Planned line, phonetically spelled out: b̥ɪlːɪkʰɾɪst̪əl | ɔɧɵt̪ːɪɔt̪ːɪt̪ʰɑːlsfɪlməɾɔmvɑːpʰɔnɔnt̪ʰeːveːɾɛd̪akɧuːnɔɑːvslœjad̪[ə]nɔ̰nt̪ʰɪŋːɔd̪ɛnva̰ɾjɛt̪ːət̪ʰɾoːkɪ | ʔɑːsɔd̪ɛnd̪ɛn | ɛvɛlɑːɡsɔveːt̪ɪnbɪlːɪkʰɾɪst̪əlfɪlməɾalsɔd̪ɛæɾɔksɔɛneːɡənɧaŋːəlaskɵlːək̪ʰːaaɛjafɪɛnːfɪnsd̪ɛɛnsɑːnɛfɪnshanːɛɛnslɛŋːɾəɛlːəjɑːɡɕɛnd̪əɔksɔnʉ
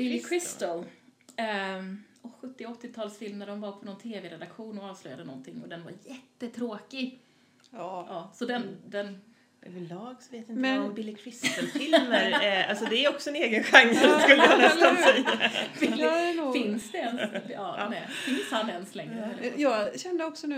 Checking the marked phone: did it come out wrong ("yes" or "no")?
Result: no